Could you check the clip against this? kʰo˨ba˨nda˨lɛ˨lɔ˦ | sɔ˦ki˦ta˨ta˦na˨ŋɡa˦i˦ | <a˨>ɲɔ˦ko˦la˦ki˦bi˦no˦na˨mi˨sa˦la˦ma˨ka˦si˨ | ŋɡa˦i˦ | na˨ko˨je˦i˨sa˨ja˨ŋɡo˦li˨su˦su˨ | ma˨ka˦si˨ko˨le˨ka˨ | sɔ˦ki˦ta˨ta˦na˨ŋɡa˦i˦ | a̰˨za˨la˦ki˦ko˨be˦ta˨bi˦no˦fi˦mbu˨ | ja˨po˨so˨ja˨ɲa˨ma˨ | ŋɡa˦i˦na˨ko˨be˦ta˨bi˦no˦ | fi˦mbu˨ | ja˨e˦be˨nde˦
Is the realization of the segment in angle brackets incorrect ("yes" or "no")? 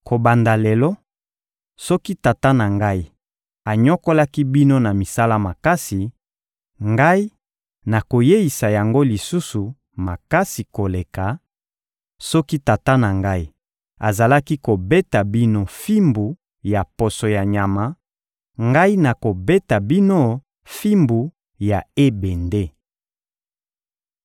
no